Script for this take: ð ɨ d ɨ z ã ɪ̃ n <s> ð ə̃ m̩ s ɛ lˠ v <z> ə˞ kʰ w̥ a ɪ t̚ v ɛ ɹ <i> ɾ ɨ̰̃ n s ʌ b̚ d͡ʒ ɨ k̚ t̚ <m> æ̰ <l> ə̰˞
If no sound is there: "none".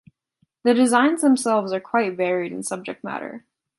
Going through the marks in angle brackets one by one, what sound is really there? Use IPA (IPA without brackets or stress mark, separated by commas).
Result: z, z, i, m, ɾ